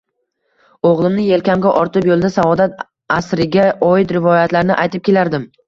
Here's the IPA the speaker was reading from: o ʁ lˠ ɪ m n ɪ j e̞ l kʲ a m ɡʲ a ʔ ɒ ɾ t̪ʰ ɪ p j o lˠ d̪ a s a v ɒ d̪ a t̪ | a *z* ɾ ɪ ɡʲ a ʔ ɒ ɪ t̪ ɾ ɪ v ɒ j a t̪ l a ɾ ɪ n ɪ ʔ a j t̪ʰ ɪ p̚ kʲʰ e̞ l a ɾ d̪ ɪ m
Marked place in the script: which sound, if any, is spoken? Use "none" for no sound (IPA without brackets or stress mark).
s